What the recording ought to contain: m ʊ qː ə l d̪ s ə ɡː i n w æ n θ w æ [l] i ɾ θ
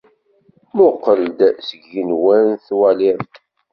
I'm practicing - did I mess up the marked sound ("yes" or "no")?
no